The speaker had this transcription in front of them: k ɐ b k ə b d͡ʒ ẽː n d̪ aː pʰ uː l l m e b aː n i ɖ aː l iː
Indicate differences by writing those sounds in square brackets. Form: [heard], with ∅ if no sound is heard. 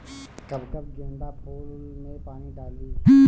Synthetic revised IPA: k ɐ b k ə b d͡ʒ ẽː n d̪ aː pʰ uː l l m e [p] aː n i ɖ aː l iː